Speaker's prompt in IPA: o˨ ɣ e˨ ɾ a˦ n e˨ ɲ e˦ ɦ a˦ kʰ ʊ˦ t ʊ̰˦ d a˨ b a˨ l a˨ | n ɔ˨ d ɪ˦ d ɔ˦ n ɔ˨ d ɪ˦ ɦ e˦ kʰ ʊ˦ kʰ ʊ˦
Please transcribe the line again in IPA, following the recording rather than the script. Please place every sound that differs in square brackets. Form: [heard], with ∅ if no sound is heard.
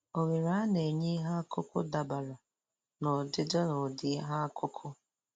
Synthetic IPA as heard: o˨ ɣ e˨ ɾ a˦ n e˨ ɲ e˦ ɦ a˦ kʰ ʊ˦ [k] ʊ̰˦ d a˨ b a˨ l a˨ | n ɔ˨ d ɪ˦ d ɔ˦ n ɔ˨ d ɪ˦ ɦ [a˦] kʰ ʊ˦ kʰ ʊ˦